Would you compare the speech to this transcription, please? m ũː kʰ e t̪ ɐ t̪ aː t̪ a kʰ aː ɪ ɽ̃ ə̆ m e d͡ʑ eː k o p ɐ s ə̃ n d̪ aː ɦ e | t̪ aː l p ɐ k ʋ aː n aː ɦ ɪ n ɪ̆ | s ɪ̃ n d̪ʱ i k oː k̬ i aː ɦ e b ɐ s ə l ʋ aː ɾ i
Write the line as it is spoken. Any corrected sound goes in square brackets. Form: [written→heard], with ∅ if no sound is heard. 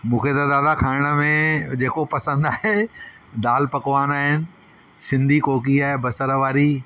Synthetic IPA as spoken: m ũː kʰ e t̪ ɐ [t̪→d̪] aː [t̪→d̪] a kʰ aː ɪ ɽ̃ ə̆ m [e→ẽ] d͡ʑ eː k o p ɐ s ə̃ n d̪ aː ɦ e | [t̪→d̪] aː l p ɐ k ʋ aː n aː ɦ ɪ n ɪ̆ | s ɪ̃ n d̪ʱ i k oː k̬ i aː ɦ e b ɐ s ə [l→ɾ] ʋ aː ɾ i